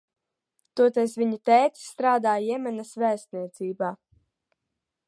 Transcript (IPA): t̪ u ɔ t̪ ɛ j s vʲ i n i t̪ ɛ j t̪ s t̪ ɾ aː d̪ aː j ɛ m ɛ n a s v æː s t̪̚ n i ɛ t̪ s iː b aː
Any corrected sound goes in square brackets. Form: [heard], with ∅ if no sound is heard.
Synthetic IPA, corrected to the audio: t̪ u ɔ t̪ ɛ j s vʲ i [ɲ] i t̪ ɛ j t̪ s t̪ ɾ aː d̪ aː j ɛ m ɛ n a s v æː s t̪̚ n i ɛ t̪ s iː b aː